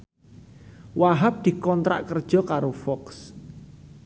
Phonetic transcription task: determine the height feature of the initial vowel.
low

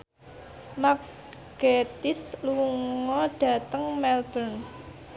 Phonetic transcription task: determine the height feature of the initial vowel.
low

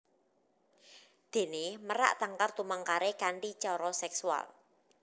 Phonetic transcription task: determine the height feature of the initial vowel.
mid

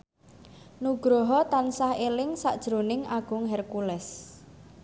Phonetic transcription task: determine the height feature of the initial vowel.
high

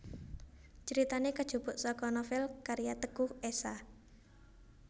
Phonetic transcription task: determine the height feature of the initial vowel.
mid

